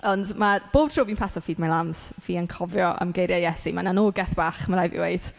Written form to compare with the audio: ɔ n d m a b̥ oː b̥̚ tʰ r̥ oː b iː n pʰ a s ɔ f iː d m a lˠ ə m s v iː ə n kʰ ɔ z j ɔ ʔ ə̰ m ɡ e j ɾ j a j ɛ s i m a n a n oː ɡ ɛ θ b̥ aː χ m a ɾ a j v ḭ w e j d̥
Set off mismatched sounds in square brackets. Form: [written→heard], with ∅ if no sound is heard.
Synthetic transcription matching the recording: ɔ n d m a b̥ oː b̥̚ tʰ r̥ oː [b→v] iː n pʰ a s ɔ f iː d m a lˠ [ə→a] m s v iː ə n kʰ ɔ [z→v] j ɔ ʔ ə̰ m ɡ e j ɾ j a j ɛ s i m a n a n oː ɡ ɛ θ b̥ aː χ m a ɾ a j v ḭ w e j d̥